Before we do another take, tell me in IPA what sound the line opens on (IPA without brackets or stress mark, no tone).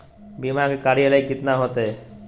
b